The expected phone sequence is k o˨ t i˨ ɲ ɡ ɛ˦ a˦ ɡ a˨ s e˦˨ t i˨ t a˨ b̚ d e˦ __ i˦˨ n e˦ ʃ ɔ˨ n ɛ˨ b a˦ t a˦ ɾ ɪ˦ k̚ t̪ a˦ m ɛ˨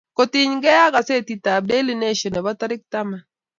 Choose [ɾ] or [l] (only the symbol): l